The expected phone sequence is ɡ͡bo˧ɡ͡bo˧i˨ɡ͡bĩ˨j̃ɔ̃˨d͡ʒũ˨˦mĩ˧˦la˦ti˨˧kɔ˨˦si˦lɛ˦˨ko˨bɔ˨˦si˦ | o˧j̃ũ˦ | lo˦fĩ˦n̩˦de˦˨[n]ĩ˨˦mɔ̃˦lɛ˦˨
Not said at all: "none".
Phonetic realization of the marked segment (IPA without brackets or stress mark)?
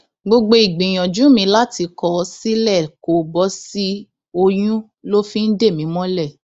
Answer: m